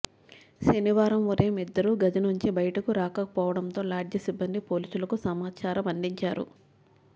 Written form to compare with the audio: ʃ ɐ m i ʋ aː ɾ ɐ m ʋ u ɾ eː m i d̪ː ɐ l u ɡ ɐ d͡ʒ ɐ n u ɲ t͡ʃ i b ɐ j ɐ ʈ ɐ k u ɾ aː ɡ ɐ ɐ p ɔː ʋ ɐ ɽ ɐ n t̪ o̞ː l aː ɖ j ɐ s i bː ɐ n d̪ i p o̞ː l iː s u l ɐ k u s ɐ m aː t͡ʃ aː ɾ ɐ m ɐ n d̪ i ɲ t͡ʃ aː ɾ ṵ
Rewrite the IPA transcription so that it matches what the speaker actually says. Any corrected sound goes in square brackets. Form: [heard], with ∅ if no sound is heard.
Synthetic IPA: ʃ ɐ [n] i ʋ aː ɾ ɐ m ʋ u ɾ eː m i d̪ː ɐ [ɾ] u ɡ ɐ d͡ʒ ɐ n u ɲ t͡ʃ i b ɐ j ɐ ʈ ɐ k u ɾ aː [k] ɐ ɐ p ɔː ʋ ɐ ɽ ɐ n t̪ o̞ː l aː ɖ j ɐ s i bː ɐ n d̪ i p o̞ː l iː s u l ɐ k u s ɐ m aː t͡ʃ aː ɾ ɐ m ɐ n d̪ i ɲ t͡ʃ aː ɾ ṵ